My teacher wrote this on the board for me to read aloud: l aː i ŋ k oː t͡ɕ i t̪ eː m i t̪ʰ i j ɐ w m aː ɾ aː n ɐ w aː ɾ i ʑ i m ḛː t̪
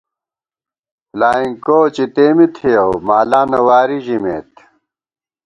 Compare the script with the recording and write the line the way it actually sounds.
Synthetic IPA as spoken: l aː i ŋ k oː t͡ɕ i t̪ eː m i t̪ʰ i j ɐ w m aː l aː n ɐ w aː ɾ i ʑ i m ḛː t̪